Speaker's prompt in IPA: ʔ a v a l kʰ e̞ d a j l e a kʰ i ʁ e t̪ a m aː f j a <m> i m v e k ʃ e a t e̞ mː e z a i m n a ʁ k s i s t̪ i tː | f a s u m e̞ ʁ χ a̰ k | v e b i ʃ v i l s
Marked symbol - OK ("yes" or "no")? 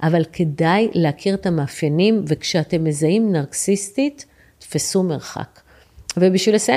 no